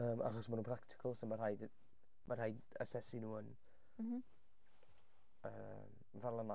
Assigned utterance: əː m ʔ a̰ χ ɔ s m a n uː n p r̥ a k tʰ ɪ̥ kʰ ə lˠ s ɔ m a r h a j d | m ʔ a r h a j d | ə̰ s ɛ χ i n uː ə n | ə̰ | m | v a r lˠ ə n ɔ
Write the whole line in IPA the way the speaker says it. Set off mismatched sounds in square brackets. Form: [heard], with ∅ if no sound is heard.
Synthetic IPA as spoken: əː m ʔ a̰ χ ɔ s m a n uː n p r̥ a k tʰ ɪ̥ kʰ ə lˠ s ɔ m a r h a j d | m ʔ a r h a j d | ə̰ s ɛ [s] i n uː ə n | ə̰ | m | v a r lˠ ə n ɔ